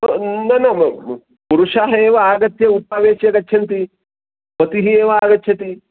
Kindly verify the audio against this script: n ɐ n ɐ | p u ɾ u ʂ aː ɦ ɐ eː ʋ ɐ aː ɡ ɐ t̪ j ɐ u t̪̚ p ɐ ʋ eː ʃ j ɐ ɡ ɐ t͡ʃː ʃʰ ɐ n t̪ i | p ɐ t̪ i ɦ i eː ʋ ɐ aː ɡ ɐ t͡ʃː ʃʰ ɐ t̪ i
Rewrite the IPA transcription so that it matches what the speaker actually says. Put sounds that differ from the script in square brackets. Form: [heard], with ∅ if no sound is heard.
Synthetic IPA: n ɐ n ɐ | p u ɾ u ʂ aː ɦ ɐ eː ʋ ɐ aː ɡ ɐ t̪ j ɐ u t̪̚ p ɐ ʋ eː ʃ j ɐ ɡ ɐ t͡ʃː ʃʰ ɐ n t̪ i | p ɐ t̪ i ɦ i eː ʋ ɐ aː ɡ ɐ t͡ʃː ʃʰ ɐ t̪ i